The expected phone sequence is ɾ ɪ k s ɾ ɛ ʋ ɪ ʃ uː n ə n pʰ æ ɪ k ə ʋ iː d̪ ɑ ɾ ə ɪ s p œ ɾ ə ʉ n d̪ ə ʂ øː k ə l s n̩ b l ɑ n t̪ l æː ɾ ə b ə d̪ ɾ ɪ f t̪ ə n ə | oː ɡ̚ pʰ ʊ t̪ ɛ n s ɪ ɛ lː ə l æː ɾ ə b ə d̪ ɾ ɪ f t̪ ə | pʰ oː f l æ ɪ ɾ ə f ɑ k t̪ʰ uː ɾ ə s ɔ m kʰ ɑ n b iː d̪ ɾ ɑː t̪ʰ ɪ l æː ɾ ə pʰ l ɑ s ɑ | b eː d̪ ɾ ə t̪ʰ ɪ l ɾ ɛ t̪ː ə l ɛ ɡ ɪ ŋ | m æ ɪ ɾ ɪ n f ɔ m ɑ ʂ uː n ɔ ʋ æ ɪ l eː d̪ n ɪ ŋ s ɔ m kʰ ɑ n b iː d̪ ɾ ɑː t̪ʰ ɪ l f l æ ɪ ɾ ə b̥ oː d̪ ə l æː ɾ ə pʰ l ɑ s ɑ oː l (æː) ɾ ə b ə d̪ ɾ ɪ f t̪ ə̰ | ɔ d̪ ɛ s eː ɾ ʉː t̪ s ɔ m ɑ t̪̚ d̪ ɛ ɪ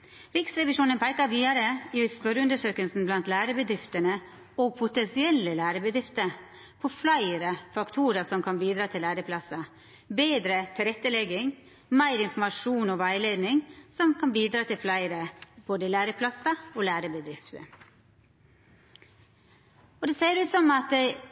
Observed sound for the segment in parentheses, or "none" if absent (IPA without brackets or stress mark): æː